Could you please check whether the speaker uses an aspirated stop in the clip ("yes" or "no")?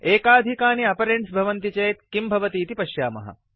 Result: no